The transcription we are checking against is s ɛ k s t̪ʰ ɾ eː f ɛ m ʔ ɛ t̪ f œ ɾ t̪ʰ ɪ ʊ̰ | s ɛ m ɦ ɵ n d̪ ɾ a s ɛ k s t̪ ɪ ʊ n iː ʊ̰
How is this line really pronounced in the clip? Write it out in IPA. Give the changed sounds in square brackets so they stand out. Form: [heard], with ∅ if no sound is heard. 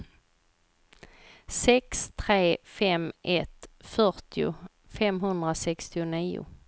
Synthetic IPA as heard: s ɛ k s t̪ʰ ɾ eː f ɛ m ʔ ɛ t̪ f œ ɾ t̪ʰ ɪ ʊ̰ | [f] ɛ m ɦ ɵ n d̪ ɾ a s ɛ k s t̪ ɪ ʊ n iː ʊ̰